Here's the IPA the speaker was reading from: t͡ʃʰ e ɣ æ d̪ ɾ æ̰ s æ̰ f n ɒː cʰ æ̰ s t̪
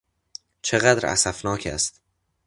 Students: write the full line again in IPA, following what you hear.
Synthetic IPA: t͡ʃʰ e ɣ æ d̪ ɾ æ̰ s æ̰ f n ɒː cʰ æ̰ s t̪